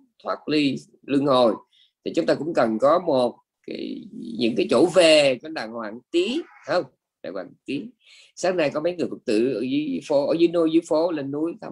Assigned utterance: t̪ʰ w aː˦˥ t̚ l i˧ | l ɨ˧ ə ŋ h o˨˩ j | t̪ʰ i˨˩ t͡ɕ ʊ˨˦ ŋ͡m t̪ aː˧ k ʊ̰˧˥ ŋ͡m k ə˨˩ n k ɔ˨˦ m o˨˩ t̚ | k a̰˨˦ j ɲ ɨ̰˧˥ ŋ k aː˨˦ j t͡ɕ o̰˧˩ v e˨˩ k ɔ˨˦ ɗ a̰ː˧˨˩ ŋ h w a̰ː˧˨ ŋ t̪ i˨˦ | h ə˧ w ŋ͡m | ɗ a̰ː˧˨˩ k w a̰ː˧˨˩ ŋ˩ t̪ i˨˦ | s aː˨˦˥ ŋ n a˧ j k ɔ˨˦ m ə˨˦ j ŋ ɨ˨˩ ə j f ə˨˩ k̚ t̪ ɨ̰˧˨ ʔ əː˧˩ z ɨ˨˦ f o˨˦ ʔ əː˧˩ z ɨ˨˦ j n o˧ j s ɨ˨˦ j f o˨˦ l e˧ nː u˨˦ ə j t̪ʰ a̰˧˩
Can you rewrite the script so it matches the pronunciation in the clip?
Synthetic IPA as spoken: t̪ʰ w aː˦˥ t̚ l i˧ | l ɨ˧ ə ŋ h o˨˩ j | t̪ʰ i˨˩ t͡ɕ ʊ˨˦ ŋ͡m t̪ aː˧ k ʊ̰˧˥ ŋ͡m k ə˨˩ n k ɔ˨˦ m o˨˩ t̚ | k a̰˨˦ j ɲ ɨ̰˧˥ ŋ k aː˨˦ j t͡ɕ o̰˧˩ v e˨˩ k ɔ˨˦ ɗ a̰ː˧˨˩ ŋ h w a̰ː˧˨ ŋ t̪ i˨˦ | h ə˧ w ŋ͡m | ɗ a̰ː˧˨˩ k w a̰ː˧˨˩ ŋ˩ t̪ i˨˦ | s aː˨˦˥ ŋ n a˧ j k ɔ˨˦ m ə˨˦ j ŋ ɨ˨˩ ə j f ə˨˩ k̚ t̪ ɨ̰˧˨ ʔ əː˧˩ z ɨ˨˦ f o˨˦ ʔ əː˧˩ z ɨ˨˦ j n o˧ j z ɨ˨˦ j f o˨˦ l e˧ nː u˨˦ ə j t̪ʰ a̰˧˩